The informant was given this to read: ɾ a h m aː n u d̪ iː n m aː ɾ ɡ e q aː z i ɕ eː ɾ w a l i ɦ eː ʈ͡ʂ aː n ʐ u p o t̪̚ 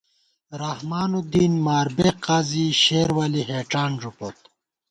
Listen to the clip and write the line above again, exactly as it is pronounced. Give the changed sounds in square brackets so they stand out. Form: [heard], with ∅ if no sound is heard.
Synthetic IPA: ɾ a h m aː n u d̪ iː n m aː ɾ [b] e q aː z i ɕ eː ɾ w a l i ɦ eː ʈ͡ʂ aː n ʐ u p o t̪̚